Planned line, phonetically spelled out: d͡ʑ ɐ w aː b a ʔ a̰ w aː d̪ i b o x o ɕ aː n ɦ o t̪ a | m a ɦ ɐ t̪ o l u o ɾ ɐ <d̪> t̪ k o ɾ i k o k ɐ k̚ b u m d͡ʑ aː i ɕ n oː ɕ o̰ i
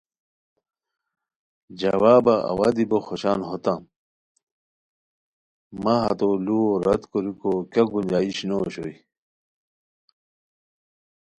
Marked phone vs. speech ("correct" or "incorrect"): incorrect